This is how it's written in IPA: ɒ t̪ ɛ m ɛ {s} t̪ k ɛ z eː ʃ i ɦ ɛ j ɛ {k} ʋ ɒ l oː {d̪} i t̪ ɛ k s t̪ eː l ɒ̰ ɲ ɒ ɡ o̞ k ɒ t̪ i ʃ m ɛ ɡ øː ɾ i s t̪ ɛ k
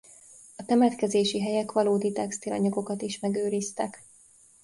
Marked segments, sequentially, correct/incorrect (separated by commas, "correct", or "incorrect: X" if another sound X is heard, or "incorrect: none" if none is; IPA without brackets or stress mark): incorrect: none, correct, correct